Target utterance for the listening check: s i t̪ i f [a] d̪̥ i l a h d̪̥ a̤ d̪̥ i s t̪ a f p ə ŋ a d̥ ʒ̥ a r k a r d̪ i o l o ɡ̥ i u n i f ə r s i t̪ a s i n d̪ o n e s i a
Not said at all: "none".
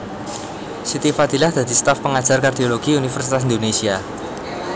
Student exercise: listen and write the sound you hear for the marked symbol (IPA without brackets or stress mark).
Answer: a